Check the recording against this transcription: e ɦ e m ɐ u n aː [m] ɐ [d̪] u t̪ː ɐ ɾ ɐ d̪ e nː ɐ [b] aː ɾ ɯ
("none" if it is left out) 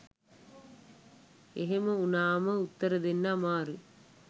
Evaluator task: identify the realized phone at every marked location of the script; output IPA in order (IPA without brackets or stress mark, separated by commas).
m, none, m